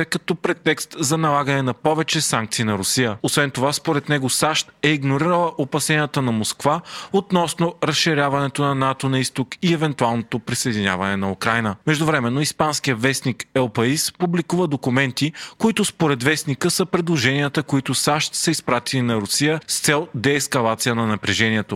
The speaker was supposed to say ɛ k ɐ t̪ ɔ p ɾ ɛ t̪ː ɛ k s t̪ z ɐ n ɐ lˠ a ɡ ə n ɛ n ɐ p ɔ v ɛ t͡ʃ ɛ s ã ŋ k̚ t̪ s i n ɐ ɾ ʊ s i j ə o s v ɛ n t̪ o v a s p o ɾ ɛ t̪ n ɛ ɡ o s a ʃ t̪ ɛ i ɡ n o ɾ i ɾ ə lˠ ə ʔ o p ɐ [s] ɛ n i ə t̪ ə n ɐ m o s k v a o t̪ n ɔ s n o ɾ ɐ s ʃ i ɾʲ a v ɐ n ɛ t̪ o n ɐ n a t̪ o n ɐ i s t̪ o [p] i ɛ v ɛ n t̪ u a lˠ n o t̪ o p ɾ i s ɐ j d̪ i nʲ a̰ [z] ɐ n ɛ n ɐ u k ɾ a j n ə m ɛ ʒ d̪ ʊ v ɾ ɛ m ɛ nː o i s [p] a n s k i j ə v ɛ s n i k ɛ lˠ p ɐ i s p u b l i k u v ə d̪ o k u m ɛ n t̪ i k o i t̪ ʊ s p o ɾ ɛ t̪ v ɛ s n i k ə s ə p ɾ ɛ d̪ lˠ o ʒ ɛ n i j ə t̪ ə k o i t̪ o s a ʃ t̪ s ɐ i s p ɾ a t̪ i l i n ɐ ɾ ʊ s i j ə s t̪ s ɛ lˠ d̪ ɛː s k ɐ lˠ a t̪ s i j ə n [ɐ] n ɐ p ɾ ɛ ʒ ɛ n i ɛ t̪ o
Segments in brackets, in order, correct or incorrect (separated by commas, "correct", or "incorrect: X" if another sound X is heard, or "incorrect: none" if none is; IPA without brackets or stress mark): correct, incorrect: k, incorrect: v, correct, correct